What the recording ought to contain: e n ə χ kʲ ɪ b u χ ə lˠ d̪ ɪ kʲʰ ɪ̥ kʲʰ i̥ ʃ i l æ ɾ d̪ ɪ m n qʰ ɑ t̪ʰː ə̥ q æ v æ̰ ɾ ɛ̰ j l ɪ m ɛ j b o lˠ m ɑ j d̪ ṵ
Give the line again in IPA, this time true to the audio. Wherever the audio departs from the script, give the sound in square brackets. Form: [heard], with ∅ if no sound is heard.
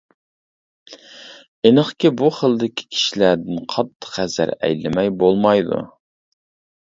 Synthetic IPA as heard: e n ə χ kʲ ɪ b u χ ə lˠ d̪ ɪ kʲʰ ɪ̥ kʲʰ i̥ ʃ i l æ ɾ d̪ ɪ [∅] n qʰ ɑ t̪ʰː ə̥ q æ [z] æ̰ ɾ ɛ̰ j l ɪ m ɛ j b o lˠ m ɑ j d̪ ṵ